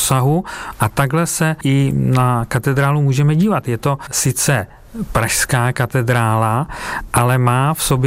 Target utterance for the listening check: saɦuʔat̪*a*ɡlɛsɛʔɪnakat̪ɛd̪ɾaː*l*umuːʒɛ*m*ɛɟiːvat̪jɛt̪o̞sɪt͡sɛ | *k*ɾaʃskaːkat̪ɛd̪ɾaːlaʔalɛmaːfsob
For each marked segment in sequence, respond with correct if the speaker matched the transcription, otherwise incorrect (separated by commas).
correct, correct, correct, incorrect